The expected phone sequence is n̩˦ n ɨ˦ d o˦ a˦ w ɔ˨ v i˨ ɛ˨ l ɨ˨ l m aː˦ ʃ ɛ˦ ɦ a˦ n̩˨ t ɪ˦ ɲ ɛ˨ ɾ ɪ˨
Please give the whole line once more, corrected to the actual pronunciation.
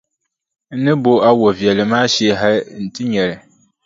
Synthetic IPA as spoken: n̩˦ n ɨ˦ b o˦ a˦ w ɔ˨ v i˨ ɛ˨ l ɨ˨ m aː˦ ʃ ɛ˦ ɦ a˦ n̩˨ t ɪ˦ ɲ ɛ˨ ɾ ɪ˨